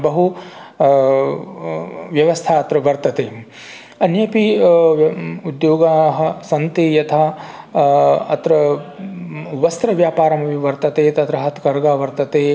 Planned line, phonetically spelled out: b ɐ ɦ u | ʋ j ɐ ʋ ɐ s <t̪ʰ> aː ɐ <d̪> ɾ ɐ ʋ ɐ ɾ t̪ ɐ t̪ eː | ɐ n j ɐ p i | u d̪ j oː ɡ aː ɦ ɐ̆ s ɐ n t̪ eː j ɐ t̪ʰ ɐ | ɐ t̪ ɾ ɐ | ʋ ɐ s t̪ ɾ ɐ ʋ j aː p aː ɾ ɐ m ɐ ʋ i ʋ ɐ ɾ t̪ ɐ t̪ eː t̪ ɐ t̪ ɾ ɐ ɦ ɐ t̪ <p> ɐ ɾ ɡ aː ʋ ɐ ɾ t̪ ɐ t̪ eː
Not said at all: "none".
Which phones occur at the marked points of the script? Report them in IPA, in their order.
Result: t̪ʰ, t̪, k

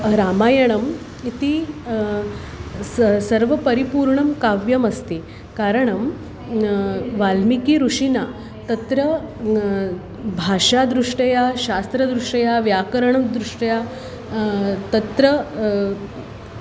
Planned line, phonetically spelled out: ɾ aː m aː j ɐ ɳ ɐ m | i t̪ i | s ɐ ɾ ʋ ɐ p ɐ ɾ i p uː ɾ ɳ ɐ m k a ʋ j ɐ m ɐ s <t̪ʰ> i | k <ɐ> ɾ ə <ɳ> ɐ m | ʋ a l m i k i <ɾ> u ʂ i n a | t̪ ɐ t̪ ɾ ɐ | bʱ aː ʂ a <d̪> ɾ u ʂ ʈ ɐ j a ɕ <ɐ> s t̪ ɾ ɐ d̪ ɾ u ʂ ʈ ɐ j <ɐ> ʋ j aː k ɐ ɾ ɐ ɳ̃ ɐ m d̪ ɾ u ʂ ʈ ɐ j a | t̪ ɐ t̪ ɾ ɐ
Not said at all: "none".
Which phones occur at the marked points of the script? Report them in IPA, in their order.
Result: t̪, a, ɳ, ɾ, d̪, a, a

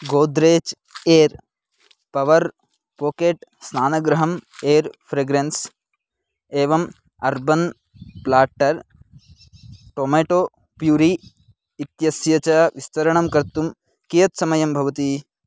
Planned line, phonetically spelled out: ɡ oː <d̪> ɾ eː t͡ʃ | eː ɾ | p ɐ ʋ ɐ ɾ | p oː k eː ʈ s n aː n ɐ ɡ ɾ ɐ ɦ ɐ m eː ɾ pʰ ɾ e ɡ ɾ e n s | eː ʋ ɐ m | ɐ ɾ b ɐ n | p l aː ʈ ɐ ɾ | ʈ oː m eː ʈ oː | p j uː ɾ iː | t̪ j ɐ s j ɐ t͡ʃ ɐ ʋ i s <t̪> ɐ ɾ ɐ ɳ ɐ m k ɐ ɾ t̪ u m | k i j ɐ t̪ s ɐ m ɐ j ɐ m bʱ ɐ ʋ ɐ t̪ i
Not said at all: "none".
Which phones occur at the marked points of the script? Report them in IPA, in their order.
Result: d̪, t̪

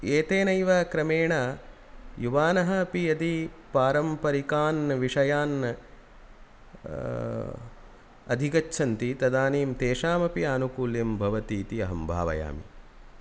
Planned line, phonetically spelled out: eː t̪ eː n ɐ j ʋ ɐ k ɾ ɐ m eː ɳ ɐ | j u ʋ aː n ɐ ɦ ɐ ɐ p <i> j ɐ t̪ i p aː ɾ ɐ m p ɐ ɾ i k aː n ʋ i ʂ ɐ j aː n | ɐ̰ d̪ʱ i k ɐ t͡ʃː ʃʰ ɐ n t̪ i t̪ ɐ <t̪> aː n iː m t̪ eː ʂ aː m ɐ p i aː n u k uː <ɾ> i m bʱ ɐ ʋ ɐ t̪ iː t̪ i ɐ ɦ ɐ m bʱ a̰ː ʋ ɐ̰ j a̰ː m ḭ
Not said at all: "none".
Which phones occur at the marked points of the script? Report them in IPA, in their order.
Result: i, d̪, l

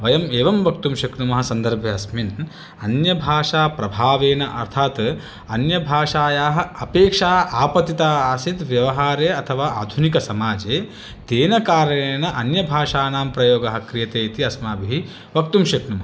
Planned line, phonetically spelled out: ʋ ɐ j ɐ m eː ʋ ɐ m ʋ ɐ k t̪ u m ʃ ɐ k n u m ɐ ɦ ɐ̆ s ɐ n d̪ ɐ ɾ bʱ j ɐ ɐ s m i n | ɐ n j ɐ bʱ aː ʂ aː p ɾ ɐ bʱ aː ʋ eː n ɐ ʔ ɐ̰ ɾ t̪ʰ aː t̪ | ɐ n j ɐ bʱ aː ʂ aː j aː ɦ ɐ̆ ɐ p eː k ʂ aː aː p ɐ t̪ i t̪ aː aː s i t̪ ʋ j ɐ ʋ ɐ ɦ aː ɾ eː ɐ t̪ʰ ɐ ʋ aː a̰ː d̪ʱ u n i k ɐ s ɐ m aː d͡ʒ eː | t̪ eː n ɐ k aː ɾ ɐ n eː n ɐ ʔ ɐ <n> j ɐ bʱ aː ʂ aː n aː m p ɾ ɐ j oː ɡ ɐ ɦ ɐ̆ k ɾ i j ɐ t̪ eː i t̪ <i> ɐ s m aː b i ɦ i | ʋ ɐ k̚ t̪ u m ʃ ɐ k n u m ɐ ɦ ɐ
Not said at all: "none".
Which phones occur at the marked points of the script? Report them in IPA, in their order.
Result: n, i

